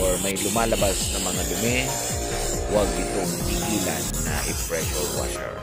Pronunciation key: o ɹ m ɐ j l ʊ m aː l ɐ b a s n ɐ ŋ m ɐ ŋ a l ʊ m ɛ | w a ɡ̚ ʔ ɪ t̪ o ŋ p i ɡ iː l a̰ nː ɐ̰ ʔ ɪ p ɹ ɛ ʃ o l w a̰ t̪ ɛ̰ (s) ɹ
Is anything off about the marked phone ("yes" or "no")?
yes